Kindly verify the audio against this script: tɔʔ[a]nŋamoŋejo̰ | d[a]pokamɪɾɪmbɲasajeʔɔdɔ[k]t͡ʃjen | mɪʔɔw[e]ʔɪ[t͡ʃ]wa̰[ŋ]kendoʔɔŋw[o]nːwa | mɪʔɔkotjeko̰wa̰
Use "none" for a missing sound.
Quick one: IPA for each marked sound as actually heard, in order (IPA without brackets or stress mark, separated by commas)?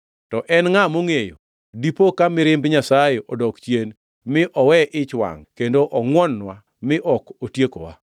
ɛ, i, k, ɛ, t͡ʃ, ŋ, ɔ